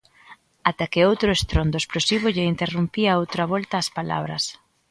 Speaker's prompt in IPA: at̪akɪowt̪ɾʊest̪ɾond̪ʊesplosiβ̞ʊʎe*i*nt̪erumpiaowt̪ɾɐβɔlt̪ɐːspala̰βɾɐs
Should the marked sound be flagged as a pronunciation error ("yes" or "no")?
no